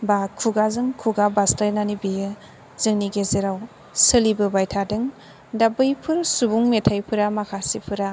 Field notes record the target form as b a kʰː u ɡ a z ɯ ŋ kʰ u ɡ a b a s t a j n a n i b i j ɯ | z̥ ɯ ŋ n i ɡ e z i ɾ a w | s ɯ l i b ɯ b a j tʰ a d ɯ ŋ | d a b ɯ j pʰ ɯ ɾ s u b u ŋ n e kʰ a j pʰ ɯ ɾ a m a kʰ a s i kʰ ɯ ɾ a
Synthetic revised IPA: b a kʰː u ɡ a z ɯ ŋ kʰ u ɡ a b a s t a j n a n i b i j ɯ | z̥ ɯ ŋ n i ɡ e z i ɾ a w | s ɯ l i b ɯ b a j tʰ a d ɯ ŋ | d a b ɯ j pʰ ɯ ɾ s u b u ŋ m e tʰ a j pʰ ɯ ɾ a m a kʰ a s i pʰ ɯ ɾ a

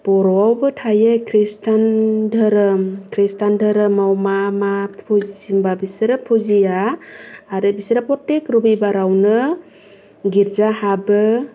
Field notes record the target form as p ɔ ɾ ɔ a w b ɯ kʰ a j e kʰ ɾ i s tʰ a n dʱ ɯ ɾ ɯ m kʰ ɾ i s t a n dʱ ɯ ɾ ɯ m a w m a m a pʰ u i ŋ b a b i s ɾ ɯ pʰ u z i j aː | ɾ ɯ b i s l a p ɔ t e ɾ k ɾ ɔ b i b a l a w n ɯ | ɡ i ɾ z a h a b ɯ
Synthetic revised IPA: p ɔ ɾ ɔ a w b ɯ tʰ a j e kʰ ɾ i s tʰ a n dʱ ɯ ɾ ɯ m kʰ ɾ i s t a n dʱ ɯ ɾ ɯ m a w m a m a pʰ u i m b a b i s ɾ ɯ pʰ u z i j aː | ɾ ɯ b i s ɾ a p ɔ t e k ɾ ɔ b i b a ɾ a w n ɯ | ɡ i ɾ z a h a b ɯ

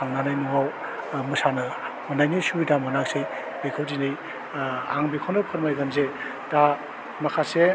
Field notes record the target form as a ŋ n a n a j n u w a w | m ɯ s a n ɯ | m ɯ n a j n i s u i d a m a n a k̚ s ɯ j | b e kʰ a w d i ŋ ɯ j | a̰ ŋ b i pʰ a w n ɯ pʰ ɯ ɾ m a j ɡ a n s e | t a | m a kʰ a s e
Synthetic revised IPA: a ŋ n a n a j n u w a w | m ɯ s a n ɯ | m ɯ n a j n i s u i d a m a n a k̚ s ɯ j | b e kʰ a w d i n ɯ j | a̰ ŋ b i kʰ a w n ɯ pʰ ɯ ɾ m a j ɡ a n z e | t a | m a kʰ a s e

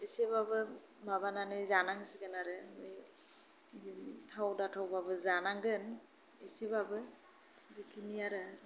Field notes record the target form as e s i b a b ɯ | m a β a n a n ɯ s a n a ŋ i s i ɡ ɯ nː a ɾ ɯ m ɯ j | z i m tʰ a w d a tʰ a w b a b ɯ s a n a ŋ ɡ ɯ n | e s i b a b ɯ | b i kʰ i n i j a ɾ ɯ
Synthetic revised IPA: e s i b a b ɯ | m a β a n a n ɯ z a n a ŋ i s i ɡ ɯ n a ɾ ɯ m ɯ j | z i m tʰ a w d a tʰ a w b a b ɯ z a n a ŋ ɡ ɯ n | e s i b a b ɯ | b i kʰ i n i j a ɾ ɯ

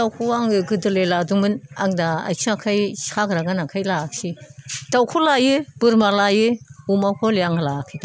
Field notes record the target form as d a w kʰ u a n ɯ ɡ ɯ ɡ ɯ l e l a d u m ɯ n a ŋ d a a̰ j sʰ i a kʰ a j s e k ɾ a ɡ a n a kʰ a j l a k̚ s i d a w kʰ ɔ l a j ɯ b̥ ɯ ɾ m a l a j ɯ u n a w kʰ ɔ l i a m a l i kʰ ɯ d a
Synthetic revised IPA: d a w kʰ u a ŋ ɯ ɡ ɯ d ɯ l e l a d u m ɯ n a ŋ d a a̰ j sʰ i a kʰ a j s a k ɾ a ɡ a n a kʰ a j l a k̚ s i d a w kʰ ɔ l a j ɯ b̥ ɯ ɾ m a l a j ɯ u m a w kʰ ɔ l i a ŋ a l a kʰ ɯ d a

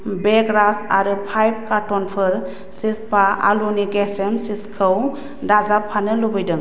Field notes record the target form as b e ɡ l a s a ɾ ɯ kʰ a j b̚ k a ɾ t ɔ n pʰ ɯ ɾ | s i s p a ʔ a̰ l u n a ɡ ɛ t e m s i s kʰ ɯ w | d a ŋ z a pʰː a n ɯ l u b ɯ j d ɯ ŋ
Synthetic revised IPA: b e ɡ ɾ a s a ɾ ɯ pʰ a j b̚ k a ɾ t ɔ n pʰ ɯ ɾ | s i s p a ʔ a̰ l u n i ɡ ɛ s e m s i s kʰ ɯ w | d a z a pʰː a n ɯ l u b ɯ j d ɯ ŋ

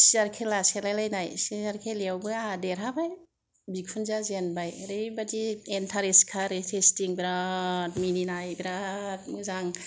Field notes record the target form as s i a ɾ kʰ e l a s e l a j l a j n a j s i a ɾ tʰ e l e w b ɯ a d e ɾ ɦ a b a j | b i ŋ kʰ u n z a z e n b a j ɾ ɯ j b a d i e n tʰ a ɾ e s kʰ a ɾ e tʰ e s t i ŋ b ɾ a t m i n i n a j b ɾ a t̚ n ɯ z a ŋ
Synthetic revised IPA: s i a ɾ kʰ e l a s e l a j l a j n a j s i a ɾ kʰ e l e w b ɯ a d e ɾ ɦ a b a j | b i kʰ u n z a z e n b a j ɾ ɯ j b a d i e n tʰ a ɾ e s kʰ a ɾ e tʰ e s t i ŋ b ɾ a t m i n i n a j b ɾ a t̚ m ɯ z a ŋ

